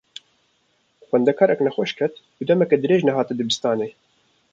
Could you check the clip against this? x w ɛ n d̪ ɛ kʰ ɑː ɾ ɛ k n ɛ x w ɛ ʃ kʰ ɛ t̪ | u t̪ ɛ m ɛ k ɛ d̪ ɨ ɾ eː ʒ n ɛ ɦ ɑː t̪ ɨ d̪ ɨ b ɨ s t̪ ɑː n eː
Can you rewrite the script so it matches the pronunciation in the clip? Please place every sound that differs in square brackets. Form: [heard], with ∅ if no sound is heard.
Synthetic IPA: x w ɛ n d̪ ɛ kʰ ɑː ɾ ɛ k n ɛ x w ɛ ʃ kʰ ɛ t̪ | u [d̪] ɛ m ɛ k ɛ d̪ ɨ ɾ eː ʒ n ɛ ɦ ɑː t̪ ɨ d̪ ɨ b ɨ s t̪ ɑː n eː